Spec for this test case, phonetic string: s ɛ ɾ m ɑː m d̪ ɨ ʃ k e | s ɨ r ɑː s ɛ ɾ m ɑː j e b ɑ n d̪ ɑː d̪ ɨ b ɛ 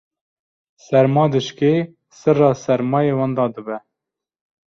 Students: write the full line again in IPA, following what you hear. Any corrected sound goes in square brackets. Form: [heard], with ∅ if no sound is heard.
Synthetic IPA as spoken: s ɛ ɾ m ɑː [∅] d̪ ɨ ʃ k e | s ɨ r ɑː s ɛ ɾ m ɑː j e [w] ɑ n d̪ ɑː d̪ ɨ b ɛ